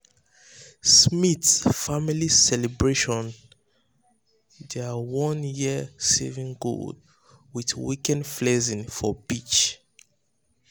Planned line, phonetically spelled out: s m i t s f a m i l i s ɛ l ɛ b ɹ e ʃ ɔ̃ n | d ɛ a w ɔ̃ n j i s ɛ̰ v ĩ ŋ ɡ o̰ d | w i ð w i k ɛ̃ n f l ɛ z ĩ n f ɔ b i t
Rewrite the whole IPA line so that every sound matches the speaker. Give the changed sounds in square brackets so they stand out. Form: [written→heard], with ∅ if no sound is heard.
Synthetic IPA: s m i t s f a m i l i s ɛ l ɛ b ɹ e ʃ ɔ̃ n | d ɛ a w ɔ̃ n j i s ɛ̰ v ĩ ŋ ɡ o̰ d | w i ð w i k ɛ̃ n f l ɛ z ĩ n f ɔ b i [t→t͡ʃ]